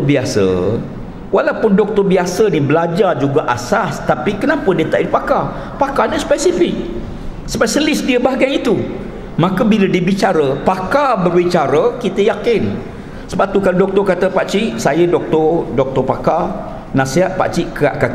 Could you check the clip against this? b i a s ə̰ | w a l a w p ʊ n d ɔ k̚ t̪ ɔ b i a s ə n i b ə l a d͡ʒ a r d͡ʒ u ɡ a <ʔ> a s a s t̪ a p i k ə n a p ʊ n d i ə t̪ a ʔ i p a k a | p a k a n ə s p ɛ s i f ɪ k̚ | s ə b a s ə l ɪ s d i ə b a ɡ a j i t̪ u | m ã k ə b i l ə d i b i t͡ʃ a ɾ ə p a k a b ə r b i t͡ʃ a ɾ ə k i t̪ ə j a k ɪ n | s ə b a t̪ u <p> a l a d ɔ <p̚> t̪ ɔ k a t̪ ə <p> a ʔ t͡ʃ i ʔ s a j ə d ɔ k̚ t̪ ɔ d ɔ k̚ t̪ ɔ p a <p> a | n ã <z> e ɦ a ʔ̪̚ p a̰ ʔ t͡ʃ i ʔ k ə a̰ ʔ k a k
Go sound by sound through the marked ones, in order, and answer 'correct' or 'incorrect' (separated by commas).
correct, incorrect, incorrect, correct, incorrect, incorrect